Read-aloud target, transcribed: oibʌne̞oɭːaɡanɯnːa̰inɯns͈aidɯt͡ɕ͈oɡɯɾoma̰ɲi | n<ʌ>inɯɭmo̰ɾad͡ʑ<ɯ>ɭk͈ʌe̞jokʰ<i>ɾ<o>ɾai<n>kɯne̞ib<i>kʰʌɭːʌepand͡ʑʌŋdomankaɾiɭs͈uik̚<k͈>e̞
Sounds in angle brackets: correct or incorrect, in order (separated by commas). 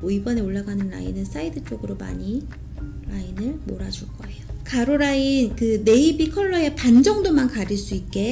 incorrect, incorrect, incorrect, correct, correct, correct, correct